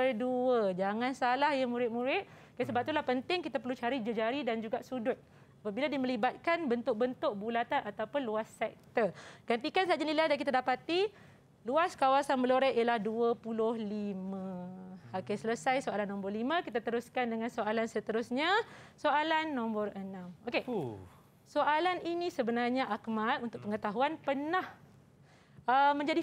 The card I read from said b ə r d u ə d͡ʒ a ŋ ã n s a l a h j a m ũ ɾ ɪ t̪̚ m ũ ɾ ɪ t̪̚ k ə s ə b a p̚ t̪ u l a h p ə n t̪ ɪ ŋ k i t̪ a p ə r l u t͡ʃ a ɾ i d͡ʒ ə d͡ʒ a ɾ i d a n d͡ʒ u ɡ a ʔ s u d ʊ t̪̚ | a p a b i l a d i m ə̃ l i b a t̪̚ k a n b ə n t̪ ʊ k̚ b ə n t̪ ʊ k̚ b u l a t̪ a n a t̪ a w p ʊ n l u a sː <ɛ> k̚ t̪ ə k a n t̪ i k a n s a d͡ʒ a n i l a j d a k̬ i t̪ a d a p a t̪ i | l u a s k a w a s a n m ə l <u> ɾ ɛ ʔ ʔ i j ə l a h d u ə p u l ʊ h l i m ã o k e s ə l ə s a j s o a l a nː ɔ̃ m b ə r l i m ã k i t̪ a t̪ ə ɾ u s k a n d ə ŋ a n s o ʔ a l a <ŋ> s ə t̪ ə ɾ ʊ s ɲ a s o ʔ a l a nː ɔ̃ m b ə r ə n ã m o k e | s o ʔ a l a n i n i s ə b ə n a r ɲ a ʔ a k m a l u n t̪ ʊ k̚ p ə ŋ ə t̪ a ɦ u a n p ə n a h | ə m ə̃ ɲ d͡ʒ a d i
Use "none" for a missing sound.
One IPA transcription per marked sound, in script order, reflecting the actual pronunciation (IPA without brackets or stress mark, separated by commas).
ɛ, o, n